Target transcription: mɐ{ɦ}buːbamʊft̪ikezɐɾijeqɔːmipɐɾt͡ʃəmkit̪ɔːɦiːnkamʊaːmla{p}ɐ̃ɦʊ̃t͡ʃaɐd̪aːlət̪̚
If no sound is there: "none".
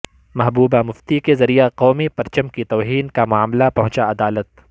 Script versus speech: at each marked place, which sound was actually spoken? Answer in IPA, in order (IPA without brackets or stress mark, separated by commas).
ɦ, p